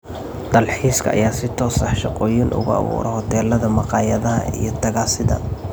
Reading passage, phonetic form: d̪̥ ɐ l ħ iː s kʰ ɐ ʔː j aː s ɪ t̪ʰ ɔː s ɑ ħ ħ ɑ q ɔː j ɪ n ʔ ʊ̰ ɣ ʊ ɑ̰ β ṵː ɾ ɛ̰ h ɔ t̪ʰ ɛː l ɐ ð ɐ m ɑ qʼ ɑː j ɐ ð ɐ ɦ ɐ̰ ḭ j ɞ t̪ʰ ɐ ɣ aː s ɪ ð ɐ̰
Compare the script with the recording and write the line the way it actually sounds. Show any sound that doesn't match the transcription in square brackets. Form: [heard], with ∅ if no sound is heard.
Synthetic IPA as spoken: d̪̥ ɐ l ħ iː s kʰ ɐ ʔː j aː s ɪ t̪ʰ ɔː s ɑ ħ [ʃ] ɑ q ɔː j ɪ n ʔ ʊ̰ ɣ ʊ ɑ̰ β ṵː ɾ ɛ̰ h ɔ t̪ʰ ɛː l ɐ ð ɐ m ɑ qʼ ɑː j ɐ ð ɐ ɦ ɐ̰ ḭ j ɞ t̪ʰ ɐ ɣ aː s ɪ ð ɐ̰